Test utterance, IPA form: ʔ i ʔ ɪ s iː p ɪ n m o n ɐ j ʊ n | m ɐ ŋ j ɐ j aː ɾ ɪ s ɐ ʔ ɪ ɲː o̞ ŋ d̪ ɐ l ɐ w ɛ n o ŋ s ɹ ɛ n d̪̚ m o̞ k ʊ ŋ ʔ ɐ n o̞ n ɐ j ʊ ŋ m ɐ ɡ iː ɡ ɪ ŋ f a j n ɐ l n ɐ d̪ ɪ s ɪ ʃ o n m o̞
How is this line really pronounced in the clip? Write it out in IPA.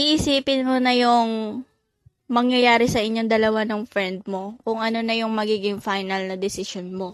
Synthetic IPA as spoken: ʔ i ʔ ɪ s iː p ɪ n m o n ɐ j ʊ ŋ | m ɐ ŋ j ɐ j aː ɾ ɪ s ɐ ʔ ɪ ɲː o̞ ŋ d̪ ɐ l ɐ w a n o ŋ f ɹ ɛ n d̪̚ m o̞ k ʊ ŋ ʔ ɐ n o̞ n ɐ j ʊ ŋ m ɐ ɡ iː ɡ ɪ ŋ f a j n ɐ l n ɐ d̪ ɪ s ɪ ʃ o n m o̞